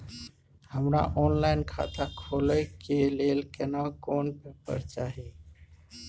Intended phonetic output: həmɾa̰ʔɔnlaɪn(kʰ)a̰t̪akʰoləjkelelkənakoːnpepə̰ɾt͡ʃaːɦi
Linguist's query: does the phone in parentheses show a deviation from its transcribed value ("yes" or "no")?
no